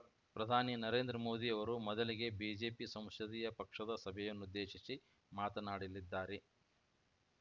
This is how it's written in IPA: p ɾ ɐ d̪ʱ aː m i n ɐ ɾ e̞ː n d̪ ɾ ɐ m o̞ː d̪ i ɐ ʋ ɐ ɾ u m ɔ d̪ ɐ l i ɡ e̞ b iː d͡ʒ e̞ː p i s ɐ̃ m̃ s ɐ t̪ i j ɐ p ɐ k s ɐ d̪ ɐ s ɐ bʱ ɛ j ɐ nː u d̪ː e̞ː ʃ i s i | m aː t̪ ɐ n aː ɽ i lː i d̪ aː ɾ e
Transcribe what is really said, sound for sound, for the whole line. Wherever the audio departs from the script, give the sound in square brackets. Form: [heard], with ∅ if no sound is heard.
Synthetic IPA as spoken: p ɾ ɐ d̪ʱ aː [n] i n ɐ ɾ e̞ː n d̪ ɾ ɐ m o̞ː d̪ i ɐ ʋ ɐ ɾ u m ɔ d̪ ɐ l i ɡ e̞ b iː d͡ʒ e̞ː p i s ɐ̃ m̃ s ɐ [d̪] i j ɐ p ɐ k [ʂ] ɐ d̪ ɐ s ɐ bʱ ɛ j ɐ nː u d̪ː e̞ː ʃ i s i | m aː t̪ ɐ n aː ɽ i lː i [d̪ː] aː ɾ e